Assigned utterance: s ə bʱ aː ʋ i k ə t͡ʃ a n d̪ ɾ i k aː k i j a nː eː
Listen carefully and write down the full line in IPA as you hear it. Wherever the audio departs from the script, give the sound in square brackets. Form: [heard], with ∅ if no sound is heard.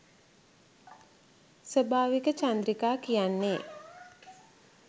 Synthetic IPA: s ə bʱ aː ʋ i k ə t͡ʃ a n d̪ ɾ i k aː k i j a nː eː